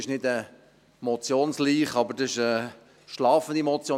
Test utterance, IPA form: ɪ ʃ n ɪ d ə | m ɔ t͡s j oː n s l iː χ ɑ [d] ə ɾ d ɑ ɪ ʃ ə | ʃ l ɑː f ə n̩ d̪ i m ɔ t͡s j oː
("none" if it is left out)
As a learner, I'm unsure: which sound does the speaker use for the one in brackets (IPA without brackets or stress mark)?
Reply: b